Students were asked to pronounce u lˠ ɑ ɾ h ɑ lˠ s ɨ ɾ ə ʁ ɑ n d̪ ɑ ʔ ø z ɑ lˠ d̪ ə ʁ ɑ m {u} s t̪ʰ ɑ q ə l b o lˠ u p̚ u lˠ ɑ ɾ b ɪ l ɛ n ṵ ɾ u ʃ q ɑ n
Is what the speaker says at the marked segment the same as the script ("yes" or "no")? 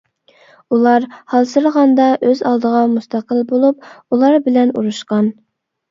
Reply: yes